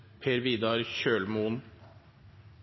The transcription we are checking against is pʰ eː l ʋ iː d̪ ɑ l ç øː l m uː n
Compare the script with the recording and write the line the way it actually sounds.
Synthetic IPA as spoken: pʰ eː ɾ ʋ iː d̪ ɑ ɾ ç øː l m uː n

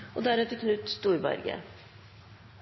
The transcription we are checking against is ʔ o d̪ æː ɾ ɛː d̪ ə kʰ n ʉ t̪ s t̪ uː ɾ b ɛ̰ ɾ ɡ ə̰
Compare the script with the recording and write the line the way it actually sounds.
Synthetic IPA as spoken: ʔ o d̪ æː ɾ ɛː t̪ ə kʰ n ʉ t̪ s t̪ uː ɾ b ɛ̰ ɾ ɡ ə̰

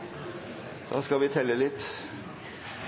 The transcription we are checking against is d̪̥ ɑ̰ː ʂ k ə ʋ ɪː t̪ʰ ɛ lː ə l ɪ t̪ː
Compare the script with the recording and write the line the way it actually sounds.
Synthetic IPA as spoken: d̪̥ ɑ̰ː s k ɑ ʋ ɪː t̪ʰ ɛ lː ə l ɪ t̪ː

